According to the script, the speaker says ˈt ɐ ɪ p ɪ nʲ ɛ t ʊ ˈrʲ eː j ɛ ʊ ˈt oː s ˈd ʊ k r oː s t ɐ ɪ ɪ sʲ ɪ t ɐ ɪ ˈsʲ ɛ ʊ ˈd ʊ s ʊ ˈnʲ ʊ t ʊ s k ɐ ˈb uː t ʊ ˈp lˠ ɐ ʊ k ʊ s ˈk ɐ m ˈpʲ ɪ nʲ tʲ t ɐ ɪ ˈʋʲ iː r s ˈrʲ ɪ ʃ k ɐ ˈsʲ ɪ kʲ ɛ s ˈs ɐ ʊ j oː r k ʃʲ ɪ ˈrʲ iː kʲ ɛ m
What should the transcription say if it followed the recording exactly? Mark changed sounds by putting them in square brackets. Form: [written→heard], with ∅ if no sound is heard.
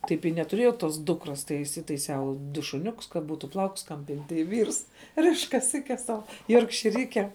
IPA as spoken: ˈt ɐ ɪ p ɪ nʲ ɛ t ʊ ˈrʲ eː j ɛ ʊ ˈt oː s ˈd ʊ k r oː s t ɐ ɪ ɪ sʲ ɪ t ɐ ɪ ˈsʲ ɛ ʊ ˈd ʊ [s→ʃ] ʊ ˈnʲ ʊ [t→k] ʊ s k ɐ ˈb uː t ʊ ˈp lˠ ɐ ʊ k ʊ s ˈk ɐ m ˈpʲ ɪ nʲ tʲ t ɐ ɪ ˈʋʲ iː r s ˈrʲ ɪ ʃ k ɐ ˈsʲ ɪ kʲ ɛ s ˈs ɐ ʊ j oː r k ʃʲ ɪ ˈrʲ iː kʲ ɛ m